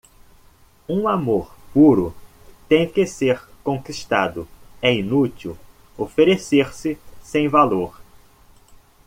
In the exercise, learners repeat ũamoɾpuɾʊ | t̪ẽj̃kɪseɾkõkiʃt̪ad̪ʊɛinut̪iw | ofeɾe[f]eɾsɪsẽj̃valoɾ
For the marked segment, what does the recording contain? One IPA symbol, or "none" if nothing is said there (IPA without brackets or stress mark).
s